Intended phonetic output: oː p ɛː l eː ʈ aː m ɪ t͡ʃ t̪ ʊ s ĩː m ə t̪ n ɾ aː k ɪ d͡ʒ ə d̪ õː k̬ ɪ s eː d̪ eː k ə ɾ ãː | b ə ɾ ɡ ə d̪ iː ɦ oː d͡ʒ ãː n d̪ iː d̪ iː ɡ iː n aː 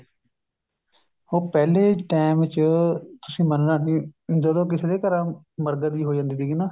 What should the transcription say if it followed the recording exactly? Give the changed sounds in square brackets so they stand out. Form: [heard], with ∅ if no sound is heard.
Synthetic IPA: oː p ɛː l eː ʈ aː m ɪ t͡ʃ t̪ ʊ s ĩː m ə [∅] n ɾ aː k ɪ d͡ʒ ə d̪ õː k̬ ɪ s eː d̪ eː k ə ɾ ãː | [m] ə ɾ ɡ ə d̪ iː ɦ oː d͡ʒ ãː n d̪ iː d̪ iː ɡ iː n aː